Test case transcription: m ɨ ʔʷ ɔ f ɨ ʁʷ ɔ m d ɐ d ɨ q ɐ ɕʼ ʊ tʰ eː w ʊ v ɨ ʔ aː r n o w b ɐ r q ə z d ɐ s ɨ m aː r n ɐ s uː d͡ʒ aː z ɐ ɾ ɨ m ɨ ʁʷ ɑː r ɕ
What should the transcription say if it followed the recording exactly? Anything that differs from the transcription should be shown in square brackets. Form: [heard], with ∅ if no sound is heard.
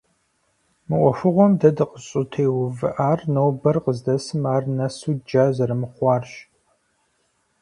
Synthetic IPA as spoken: m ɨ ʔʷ ɔ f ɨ ʁʷ ɔ m d ɐ d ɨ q [ə] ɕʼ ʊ tʰ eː w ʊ v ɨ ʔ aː r n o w b ɐ r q ə z d ɐ s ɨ m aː r n ɐ s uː d͡ʒ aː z ɐ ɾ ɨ m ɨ [χʷ] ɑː r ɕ